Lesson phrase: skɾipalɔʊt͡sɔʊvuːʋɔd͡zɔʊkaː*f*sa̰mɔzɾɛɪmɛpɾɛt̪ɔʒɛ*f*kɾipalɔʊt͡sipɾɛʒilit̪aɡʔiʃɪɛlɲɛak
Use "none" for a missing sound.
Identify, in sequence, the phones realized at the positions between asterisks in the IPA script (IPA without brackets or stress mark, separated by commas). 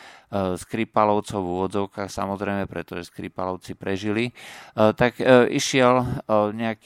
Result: x, s